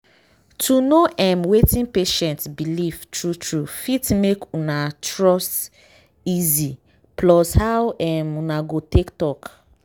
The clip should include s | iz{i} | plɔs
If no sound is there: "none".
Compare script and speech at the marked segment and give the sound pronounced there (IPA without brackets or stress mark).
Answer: i